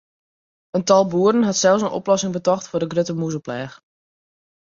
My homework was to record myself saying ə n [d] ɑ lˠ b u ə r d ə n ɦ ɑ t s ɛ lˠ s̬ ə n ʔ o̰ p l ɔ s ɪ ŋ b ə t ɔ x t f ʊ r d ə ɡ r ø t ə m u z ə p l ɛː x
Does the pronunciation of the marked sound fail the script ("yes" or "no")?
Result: yes